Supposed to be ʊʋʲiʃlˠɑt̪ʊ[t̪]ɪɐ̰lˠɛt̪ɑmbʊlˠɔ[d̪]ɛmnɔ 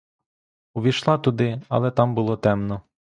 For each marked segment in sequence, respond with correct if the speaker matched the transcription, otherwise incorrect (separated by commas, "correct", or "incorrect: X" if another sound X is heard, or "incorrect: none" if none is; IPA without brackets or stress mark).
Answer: incorrect: d̪, incorrect: t̪